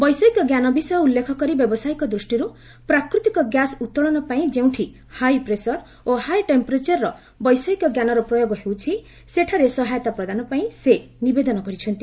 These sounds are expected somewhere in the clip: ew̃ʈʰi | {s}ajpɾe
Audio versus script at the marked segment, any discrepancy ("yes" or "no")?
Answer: yes